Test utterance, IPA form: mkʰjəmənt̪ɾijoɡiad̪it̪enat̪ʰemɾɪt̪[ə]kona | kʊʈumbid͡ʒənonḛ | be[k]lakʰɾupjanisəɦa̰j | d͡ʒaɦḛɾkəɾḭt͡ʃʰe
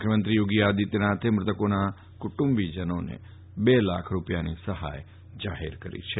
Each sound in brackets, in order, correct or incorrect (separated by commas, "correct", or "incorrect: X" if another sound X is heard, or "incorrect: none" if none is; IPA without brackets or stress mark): correct, incorrect: none